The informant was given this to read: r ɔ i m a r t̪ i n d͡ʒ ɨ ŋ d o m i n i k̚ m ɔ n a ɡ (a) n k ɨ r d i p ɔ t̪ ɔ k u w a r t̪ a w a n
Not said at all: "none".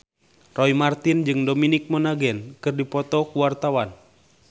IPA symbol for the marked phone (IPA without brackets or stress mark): ɛ